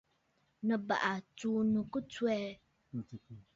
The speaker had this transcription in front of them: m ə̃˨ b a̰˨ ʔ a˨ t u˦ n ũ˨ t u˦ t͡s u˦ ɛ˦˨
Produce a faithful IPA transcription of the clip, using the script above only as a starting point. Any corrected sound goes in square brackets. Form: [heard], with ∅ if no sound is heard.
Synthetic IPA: [n] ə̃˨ b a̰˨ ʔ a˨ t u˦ n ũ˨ [k] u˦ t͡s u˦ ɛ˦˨